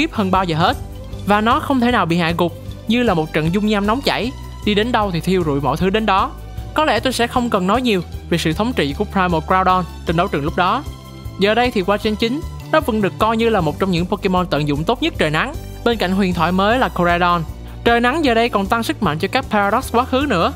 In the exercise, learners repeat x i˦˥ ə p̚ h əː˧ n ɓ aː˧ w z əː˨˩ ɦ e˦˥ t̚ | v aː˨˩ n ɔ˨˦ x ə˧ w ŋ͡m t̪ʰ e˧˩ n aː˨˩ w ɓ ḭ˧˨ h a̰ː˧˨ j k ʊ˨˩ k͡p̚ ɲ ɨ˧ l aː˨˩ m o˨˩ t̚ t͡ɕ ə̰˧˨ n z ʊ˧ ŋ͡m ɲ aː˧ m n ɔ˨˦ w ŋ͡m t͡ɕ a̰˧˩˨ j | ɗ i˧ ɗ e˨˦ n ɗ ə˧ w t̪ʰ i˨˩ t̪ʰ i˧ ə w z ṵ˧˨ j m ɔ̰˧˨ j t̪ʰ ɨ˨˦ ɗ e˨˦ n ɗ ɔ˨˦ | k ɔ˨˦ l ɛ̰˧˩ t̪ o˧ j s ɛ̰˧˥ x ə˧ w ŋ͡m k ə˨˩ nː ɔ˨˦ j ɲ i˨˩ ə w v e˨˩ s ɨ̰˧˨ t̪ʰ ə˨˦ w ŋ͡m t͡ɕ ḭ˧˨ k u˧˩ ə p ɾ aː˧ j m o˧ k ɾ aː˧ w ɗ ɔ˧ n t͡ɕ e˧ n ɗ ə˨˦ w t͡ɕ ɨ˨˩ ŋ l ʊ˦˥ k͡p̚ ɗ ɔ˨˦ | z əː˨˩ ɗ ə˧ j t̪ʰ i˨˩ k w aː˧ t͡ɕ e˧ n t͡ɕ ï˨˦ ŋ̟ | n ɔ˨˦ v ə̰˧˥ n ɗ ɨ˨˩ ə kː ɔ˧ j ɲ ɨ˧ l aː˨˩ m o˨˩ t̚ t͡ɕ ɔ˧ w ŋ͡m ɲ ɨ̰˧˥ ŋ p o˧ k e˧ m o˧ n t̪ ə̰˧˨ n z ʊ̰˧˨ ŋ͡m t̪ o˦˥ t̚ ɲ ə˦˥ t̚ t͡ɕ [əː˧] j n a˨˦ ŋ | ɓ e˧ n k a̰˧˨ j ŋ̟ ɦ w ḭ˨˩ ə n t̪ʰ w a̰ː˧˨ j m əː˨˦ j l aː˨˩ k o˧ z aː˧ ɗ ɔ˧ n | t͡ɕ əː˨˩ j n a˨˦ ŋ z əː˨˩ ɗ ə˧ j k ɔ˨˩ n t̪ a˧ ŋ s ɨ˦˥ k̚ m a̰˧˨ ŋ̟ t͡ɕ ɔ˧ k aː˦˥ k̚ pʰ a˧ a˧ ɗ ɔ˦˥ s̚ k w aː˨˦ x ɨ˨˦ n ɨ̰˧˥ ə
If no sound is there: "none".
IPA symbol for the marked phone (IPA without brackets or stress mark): əː˨˩